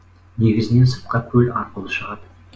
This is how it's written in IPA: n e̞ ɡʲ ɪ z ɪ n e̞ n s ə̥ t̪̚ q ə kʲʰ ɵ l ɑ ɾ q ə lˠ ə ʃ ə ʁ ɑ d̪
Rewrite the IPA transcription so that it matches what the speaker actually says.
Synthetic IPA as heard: n e̞ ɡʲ ɪ z ɪ n e̞ n s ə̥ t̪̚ q ɑ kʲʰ ɵ l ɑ ɾ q ə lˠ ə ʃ ə ʁ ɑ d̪

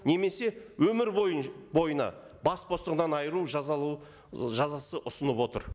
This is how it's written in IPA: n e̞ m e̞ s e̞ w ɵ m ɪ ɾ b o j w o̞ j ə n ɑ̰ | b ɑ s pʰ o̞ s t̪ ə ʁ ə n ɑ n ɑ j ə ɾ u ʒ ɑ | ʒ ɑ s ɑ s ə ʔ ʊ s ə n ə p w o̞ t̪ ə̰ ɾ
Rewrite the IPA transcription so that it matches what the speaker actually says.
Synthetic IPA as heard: n e̞ m e̞ s e̞ w ɵ m ɪ ɾ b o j b o̞ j ə n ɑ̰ | b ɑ s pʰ o̞ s t̪ ə ʁ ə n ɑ n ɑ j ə ɾ u ʒ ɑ | ʒ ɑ z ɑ s ə ʔ ʊ s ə n ə p w o̞ t̪ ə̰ ɾ

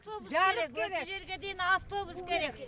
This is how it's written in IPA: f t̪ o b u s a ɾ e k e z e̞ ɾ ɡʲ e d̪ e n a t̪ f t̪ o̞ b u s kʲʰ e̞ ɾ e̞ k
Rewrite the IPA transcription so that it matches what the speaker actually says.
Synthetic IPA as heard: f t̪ o b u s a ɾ e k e ʒ e̞ ɾ ɡʲ e d̪ e n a f t̪ o̞ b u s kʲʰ e̞ ɾ e̞ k

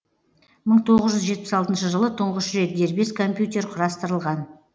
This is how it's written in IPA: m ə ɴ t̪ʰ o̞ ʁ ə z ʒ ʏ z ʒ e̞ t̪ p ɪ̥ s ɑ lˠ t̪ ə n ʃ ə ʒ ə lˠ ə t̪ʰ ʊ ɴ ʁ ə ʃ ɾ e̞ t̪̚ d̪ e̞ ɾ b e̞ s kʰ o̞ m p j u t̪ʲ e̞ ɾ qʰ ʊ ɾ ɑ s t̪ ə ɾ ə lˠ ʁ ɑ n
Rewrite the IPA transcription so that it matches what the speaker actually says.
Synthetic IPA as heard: m ə ɴ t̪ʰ o̞ ʁ ə z ʒ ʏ z ʒ e̞ t̪ p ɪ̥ s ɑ lˠ t̪ ə n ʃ ə ʒ ə lˠ ə t̪ʰ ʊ ɴ ʁ ə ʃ ɾ e̞ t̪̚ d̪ e̞ ɾ b e̞ s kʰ o̞ m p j u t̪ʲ e̞ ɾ qʰ ʊ ɾ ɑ s t̪ ə ɾ ə lˠ ʁ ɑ n

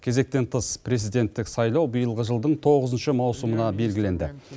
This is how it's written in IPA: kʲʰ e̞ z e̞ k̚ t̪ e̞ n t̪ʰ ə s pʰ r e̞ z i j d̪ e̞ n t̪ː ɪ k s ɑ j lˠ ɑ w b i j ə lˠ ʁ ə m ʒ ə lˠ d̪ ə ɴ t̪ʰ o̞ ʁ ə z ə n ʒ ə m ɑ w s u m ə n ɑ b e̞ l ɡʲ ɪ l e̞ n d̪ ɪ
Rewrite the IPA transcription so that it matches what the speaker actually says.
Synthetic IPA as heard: kʲʰ e̞ z e̞ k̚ t̪ e̞ n t̪ʰ ə s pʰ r e̞ z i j d̪ e̞ n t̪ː ɪ k s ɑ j lˠ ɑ w b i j ə lˠ ʁ ə ʒ ə lˠ d̪ ə ɴ t̪ʰ o̞ ʁ ə z ə n ʃ ə m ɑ w s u m ə n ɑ b e̞ l ɡʲ ɪ l e̞ n d̪ ɪ

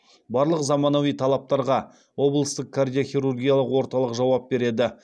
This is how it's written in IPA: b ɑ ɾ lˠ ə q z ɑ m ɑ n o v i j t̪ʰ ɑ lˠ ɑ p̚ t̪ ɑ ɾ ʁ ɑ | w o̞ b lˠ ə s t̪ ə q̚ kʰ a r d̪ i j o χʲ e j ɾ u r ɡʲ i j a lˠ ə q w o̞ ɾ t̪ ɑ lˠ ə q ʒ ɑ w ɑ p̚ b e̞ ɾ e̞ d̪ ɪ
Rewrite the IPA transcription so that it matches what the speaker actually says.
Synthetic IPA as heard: b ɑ ɾ lˠ ə q z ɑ m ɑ n o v i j t̪ʰ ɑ lˠ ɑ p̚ t̪ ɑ ɾ ʁ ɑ | w o̞ b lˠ ə s t̪ ə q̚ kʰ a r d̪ i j o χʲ i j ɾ u r ɡʲ i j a lˠ ə q w o̞ ɾ t̪ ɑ lˠ ə q ʒ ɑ w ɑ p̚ b e̞ ɾ e̞ d̪ ɪ

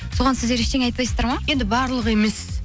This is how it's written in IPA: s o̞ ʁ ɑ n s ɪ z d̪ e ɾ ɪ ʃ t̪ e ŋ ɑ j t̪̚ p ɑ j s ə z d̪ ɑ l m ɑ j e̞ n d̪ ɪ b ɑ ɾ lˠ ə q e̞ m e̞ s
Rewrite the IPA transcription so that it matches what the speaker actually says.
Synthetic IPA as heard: s o̞ ʁ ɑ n s ɪ z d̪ e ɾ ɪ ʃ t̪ e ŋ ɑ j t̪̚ p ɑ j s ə z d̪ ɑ ɾ m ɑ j e̞ n d̪ ɪ b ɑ ɾ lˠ ə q e̞ m e̞ s

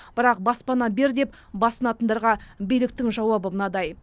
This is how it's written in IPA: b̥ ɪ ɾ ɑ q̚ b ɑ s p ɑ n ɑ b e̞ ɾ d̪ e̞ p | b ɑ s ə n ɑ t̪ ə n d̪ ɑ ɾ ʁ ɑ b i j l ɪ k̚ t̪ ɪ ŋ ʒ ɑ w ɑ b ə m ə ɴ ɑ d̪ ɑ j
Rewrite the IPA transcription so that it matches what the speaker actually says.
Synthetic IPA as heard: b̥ ɪ ɾ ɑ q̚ b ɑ s p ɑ n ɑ b e̞ ɾ d̪ e̞ p | b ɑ s ə n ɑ t̪ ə n d̪ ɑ ɾ ʁ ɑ b i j l ɪ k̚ t̪ ɪ ŋ ʒ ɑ w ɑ b ə m ə n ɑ d̪ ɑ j

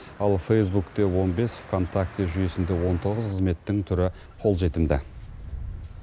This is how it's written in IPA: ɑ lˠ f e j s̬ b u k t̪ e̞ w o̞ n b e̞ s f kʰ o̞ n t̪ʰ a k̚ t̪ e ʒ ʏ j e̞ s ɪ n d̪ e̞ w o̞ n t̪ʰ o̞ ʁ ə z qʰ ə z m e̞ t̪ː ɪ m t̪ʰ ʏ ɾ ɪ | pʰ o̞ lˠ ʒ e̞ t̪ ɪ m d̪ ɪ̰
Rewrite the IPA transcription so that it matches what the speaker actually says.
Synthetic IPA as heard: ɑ lˠ f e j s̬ b u k t̪ e̞ w o̞ n b e̞ s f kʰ o̞ n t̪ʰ a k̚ t̪ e ʒ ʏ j e̞ s ɪ n d̪ e̞ w o̞ n t̪ʰ o̞ ʁ ə z qʰ ə z m e̞ t̪ː ɪ ŋ t̪ʰ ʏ ɾ ɪ | qʰ o̞ lˠ ʒ e̞ t̪ ɪ m d̪ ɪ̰

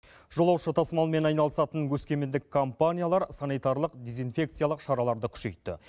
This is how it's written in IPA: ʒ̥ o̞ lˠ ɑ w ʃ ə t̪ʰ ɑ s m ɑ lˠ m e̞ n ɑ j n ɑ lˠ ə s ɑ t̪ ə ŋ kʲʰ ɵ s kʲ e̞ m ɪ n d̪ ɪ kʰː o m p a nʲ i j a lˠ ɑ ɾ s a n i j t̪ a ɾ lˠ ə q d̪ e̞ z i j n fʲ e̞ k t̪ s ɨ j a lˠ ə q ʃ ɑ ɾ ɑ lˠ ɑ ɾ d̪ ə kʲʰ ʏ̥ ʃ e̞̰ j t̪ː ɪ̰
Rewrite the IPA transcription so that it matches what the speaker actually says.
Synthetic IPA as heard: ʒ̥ o̞ lˠ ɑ w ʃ ə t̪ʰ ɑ s m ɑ lˠ m e̞ n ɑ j n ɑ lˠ ə s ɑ t̪ ə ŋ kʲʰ ɵ s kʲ e̞ m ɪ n d̪ ɪ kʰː o m p a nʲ i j a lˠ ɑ ɾ s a n i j t̪ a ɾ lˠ ə q d̪ e̞ z i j n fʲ e̞ k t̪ s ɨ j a lˠ ə q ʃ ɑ ɾ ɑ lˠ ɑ ɾ d̪ ə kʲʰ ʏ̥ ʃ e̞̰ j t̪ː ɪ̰

